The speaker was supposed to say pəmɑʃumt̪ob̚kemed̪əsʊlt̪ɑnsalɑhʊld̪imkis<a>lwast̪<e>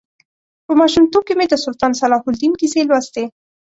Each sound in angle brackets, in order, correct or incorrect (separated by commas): incorrect, correct